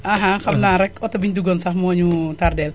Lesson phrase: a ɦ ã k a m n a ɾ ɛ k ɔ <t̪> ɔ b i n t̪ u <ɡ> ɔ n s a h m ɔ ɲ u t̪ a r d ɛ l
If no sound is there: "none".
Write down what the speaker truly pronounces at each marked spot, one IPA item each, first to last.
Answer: t̪, ɡ

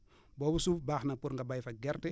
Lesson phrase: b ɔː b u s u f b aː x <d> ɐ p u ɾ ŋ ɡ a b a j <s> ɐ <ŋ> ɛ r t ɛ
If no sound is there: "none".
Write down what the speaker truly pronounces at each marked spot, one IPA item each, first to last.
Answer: n, f, ɡ

